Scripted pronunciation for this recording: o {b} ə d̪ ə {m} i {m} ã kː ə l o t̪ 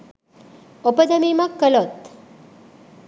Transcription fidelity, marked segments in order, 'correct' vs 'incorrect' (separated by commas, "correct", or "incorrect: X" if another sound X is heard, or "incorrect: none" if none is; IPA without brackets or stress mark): incorrect: p, correct, correct